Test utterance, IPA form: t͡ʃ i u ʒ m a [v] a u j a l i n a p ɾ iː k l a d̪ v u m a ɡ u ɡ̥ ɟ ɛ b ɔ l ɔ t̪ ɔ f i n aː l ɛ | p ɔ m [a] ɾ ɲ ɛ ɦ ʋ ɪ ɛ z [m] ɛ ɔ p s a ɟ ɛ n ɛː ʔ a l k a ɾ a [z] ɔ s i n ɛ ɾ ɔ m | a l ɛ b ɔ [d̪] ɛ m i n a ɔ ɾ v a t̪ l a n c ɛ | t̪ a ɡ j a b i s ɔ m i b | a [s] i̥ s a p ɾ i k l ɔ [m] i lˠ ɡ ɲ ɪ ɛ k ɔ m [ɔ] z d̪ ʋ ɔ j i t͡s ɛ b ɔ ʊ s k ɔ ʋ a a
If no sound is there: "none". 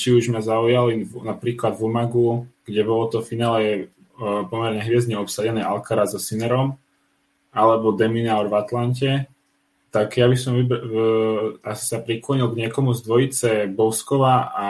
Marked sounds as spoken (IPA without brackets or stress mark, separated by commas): z, ɛ, ɲ, z, d̪, s, ɲ, u